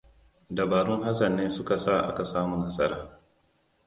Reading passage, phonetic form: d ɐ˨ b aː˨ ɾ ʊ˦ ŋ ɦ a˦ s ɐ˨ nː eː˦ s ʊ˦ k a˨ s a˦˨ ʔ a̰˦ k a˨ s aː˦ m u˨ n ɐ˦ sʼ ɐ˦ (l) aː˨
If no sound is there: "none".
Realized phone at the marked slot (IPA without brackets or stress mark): ɾ